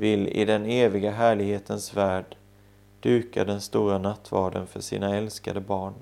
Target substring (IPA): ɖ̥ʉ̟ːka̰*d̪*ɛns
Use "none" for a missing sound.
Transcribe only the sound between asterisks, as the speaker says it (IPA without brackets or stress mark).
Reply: d̪